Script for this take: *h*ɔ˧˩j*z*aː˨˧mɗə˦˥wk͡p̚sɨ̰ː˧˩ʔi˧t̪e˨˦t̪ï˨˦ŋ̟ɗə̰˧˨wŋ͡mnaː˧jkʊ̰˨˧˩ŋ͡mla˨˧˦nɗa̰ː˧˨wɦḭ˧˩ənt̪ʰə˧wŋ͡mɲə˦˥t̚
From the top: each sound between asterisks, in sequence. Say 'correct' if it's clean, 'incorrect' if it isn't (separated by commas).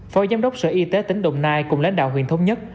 incorrect, correct